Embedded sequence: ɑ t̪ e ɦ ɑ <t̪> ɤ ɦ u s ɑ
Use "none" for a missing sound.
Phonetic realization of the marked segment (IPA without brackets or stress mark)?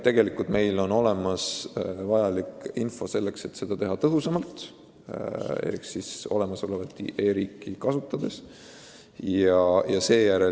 t̪